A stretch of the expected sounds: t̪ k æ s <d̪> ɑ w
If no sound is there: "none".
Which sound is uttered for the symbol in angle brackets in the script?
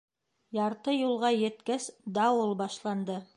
d̪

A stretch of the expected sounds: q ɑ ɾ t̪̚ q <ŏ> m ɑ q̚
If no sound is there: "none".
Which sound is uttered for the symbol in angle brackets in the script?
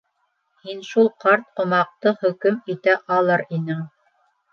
ŏ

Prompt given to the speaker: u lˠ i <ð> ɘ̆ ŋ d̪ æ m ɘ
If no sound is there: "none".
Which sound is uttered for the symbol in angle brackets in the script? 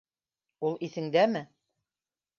θ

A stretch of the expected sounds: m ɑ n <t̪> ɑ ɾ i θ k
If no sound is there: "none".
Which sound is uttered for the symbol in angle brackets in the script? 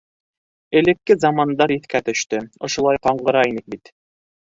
d̪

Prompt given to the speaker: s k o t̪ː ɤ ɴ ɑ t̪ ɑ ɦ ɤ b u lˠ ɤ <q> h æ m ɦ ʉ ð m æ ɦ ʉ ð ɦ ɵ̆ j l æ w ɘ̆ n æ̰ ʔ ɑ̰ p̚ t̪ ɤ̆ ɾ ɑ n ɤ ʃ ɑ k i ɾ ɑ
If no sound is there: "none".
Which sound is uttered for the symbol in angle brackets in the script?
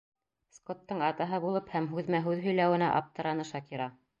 p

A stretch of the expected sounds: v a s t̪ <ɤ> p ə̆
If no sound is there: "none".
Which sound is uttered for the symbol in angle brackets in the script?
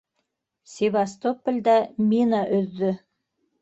o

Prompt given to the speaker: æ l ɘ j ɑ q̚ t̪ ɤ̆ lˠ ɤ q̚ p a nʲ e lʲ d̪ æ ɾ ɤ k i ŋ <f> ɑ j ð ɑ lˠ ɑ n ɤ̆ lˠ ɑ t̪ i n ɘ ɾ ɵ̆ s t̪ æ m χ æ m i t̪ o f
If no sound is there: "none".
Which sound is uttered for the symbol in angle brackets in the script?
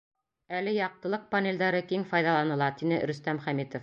f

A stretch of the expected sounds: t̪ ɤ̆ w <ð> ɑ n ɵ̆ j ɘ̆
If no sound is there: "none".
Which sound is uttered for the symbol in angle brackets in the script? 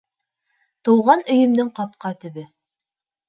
ʁ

